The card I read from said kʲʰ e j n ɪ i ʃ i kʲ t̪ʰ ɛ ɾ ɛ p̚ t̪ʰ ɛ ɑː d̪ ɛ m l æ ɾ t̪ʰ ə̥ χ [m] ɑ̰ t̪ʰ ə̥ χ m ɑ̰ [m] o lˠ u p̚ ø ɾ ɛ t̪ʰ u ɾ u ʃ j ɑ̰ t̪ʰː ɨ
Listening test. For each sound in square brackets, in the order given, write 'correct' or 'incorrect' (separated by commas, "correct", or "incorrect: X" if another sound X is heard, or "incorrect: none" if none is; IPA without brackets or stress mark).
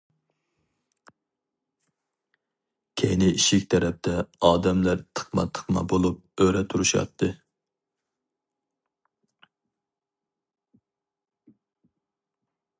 correct, incorrect: b